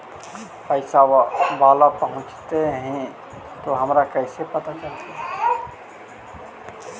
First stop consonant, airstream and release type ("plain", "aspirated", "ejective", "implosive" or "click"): plain